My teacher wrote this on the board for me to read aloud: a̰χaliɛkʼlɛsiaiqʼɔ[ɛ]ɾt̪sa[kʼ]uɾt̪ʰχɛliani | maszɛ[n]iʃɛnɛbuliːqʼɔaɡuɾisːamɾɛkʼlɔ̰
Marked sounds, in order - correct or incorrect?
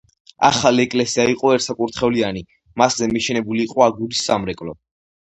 correct, correct, incorrect

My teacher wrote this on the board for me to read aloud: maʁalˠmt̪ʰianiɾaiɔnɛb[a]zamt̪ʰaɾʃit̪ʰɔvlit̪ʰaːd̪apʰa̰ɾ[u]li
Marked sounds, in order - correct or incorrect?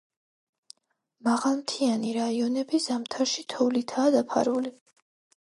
incorrect, correct

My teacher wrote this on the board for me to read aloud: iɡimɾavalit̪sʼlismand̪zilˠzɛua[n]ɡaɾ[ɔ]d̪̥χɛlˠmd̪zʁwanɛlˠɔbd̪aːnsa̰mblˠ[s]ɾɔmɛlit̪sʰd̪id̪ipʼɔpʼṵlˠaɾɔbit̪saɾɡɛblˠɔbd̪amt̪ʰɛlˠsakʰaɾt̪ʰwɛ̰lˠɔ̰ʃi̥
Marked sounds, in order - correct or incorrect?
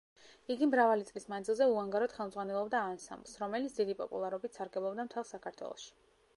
incorrect, correct, correct

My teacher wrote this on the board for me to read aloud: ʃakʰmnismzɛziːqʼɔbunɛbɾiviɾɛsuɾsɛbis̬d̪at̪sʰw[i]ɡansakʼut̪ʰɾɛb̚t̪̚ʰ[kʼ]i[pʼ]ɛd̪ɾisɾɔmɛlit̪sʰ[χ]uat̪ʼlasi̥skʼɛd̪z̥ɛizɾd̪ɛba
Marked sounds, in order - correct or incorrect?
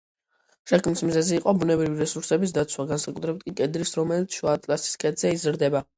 incorrect, correct, incorrect, incorrect

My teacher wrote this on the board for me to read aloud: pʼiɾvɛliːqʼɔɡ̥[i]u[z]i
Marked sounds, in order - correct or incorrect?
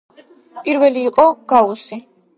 incorrect, incorrect

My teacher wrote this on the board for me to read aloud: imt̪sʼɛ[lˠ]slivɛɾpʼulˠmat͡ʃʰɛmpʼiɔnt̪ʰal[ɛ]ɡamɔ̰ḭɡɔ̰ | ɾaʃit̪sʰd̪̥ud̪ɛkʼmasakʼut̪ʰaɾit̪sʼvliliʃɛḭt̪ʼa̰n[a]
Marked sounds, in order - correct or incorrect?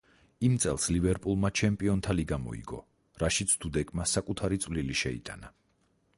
correct, incorrect, correct

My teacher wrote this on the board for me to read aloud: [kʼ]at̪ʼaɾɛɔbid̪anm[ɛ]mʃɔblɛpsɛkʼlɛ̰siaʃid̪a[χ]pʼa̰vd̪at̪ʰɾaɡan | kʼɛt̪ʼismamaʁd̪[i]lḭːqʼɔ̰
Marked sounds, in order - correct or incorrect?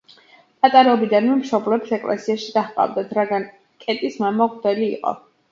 incorrect, correct, correct, incorrect

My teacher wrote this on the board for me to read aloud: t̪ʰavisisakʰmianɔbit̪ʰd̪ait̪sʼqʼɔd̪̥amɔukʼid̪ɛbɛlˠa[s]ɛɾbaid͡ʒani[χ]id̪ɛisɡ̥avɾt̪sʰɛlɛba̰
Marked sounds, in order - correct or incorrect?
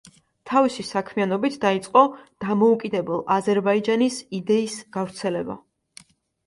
incorrect, incorrect

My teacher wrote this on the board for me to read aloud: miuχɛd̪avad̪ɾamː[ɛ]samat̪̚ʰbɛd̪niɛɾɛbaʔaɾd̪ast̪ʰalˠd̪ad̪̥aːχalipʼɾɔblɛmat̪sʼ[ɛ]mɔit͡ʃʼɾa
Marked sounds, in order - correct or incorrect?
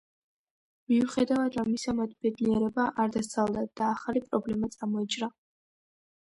incorrect, incorrect

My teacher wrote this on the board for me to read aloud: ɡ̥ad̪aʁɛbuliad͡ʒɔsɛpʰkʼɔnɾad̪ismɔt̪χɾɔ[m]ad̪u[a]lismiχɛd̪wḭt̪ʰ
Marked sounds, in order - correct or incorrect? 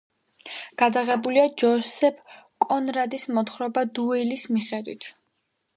incorrect, incorrect

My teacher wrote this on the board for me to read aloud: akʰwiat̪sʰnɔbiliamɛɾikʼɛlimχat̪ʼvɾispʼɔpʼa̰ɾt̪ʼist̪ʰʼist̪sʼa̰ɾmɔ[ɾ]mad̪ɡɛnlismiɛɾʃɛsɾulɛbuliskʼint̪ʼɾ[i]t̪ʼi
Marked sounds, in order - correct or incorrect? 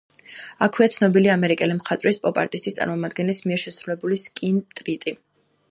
incorrect, correct

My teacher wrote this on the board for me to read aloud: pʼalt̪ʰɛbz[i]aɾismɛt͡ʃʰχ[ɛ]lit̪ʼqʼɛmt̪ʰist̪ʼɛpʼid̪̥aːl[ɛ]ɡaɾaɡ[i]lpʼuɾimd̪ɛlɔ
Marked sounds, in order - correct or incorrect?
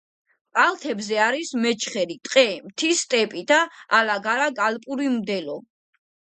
incorrect, correct, incorrect, incorrect

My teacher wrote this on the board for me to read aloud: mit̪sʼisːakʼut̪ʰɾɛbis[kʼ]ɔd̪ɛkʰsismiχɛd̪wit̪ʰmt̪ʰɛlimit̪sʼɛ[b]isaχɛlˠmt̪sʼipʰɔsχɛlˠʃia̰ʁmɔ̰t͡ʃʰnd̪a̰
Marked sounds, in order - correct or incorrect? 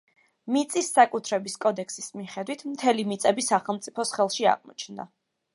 correct, correct

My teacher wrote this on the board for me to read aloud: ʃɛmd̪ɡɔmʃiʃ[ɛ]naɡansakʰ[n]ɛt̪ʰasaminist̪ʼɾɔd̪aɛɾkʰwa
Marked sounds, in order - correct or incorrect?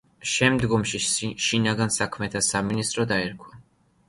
incorrect, incorrect

